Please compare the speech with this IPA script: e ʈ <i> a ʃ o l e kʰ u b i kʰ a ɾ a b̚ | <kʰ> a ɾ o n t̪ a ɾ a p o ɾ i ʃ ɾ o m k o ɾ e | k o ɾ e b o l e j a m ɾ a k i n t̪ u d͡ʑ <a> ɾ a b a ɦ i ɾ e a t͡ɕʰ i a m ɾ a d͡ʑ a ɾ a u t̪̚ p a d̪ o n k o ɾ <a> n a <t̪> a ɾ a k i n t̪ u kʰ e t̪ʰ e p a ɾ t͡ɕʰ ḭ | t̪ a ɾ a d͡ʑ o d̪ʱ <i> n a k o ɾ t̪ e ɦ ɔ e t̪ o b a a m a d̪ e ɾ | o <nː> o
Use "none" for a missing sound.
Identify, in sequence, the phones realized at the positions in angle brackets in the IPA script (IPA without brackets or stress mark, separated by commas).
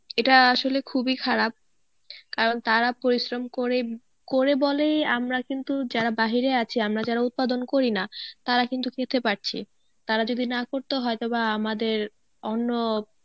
a, k, a, i, t̪, i, nː